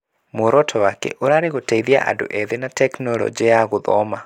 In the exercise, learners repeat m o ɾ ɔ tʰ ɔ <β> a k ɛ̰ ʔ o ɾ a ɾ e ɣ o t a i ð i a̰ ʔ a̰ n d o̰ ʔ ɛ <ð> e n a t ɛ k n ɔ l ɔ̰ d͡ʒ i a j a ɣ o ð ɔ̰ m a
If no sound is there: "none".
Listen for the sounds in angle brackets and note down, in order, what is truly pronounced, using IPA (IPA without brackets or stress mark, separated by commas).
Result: w, ð